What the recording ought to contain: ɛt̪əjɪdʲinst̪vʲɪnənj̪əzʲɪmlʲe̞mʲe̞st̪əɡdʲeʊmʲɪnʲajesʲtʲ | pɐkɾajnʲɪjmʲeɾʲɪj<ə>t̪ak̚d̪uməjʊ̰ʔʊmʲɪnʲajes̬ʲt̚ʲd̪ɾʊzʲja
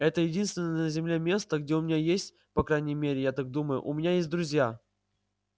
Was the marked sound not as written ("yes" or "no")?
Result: yes